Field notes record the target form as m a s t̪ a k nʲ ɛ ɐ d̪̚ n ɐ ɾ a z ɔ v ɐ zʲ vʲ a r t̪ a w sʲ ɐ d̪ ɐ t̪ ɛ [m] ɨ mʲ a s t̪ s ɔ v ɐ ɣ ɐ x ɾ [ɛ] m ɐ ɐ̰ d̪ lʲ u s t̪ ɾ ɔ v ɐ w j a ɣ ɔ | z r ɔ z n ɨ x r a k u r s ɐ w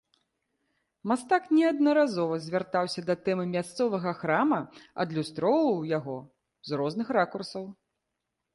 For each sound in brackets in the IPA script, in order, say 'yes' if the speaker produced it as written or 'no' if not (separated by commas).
yes, no